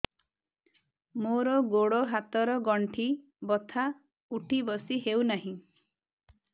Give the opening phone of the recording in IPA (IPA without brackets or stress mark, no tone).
m